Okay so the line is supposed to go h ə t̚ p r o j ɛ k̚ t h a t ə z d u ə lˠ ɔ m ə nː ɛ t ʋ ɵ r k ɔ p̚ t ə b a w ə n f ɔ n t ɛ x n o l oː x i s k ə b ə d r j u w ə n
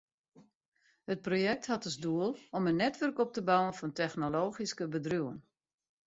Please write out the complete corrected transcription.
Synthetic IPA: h ə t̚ p r o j ɛ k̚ t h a t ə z d u ə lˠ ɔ m ə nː ɛ t ʋ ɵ r k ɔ p̚ t ə b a w ə n f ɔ n t ɛ x n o l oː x i s k ə b ə d r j u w ə n